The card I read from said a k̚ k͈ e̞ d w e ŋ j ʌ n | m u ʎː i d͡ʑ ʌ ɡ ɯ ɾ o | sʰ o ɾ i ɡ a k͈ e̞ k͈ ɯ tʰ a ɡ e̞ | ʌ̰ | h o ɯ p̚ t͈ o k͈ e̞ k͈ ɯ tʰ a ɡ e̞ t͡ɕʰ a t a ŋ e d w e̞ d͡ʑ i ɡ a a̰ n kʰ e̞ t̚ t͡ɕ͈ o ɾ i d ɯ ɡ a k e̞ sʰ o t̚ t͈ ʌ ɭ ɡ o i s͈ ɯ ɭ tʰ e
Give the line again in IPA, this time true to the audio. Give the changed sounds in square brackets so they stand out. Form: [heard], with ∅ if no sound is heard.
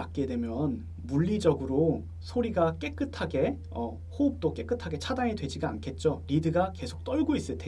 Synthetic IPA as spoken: a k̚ k͈ e̞ d w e [m] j ʌ n | m u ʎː i d͡ʑ ʌ ɡ ɯ ɾ o | sʰ o ɾ i ɡ a k͈ e̞ k͈ ɯ tʰ a ɡ e̞ | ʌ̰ | h o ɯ p̚ t͈ o k͈ e̞ k͈ ɯ tʰ a ɡ e̞ t͡ɕʰ a [d] a ŋ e d w e̞ d͡ʑ i ɡ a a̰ n kʰ e̞ t̚ t͡ɕ͈ o ɾ i d ɯ ɡ a k e̞ sʰ o [k̚] t͈ ʌ ɭ ɡ o i s͈ ɯ ɭ tʰ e